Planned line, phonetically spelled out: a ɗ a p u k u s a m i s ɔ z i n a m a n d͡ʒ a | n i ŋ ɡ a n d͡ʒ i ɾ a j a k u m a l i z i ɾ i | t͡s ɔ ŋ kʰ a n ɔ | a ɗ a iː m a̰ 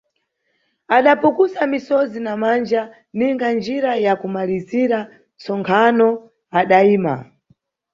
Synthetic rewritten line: a ɗ a p u k u s a m i s ɔ z i n a m a n d͡ʒ a | n i ŋ ɡ a n d͡ʒ i ɾ a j a k u m a l i z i ɾ a | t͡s ɔ ŋ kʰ a n ɔ | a ɗ a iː m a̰